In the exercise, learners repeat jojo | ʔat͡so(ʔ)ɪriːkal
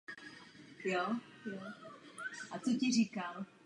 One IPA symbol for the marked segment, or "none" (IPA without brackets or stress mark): c